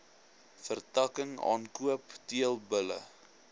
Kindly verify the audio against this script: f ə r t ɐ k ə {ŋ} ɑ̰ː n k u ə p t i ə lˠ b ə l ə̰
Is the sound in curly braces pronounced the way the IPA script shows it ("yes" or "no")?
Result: yes